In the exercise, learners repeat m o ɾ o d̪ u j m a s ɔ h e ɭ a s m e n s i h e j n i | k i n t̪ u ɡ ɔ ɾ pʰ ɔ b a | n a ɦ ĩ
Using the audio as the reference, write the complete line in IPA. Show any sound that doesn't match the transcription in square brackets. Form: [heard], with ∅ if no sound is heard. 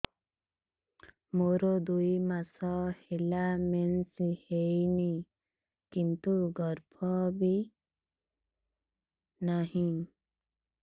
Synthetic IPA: m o ɾ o d̪ u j m a s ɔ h e [l] a [∅] m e n s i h e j n i | k i n t̪ u ɡ ɔ ɾ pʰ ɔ b [i] | n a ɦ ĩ